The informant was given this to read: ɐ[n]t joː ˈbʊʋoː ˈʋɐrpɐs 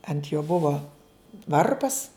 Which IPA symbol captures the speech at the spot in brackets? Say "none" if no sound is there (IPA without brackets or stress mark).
n